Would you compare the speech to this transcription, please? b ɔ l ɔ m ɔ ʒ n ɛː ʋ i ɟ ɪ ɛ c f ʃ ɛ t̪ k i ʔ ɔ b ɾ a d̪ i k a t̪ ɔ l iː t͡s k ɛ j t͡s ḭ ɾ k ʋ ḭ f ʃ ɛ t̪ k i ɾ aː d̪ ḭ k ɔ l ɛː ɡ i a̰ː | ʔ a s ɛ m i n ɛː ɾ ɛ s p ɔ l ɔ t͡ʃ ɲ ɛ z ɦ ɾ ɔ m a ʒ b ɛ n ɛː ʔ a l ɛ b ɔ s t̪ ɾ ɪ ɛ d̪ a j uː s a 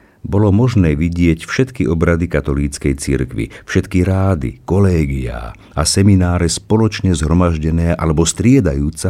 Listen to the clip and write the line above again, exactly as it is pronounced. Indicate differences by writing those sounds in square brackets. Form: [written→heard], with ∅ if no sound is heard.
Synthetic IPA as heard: b ɔ l ɔ m ɔ ʒ n ɛː ʋ i ɟ ɪ ɛ c f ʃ ɛ t̪ k i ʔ ɔ b ɾ a d̪ i k a t̪ ɔ l iː t͡s k ɛ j t͡s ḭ ɾ k ʋ ḭ f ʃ ɛ t̪ k i ɾ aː d̪ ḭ k ɔ l ɛː ɡ i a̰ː | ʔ a s ɛ m i n [ɛː→aː] ɾ ɛ s p ɔ l ɔ t͡ʃ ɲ ɛ z ɦ ɾ ɔ m a ʒ [b→ɟ] ɛ n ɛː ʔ a l ɛ b ɔ s t̪ ɾ ɪ ɛ d̪ a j uː [s→t͡s] a